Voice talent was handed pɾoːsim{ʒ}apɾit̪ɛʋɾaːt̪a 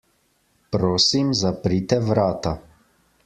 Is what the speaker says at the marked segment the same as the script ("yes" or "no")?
no